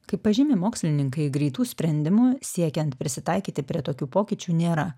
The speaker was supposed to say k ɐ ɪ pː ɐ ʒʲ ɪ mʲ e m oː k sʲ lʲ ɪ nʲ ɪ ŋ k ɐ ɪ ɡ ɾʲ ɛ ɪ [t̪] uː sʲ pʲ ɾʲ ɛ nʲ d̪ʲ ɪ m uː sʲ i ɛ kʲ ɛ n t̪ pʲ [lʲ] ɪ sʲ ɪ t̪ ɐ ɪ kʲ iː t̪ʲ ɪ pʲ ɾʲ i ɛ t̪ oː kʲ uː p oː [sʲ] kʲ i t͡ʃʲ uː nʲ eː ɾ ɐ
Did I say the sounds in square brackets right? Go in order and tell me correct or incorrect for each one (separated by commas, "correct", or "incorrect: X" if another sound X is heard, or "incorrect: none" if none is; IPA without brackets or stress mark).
correct, incorrect: ɾʲ, incorrect: none